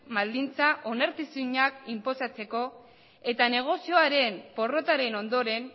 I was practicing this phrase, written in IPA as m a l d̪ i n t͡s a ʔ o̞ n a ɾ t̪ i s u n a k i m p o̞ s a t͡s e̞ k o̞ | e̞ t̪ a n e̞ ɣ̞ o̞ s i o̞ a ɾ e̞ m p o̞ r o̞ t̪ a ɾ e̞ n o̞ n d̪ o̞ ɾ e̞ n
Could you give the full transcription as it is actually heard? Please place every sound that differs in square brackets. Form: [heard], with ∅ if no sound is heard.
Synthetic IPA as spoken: m a l d̪ i n t͡s a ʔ o̞ n a ɾ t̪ i s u [ɲ] a k i m p o̞ s a t͡s e̞ k o̞ | e̞ t̪ a n e̞ ɣ̞ o̞ s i o̞ a ɾ e̞ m p o̞ r o̞ t̪ a ɾ e̞ n o̞ n d̪ o̞ ɾ e̞ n